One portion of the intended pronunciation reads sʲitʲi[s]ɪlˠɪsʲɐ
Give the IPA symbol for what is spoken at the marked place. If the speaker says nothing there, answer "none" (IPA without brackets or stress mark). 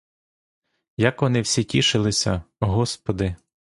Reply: ʃ